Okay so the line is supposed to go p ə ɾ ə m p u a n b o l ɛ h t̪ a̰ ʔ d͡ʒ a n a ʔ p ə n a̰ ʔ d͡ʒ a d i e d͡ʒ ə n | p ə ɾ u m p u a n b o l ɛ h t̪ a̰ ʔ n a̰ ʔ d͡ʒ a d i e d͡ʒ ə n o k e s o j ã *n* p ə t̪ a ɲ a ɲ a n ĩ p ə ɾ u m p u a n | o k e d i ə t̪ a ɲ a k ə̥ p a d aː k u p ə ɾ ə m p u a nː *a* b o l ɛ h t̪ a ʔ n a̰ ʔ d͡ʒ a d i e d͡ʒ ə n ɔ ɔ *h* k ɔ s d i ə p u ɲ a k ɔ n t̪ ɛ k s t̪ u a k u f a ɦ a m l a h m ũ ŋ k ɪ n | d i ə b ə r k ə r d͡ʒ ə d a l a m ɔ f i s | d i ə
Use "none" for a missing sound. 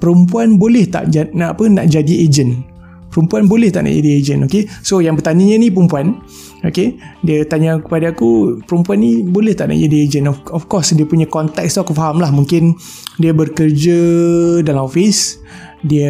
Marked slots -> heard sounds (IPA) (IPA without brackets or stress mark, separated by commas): ŋ, i, f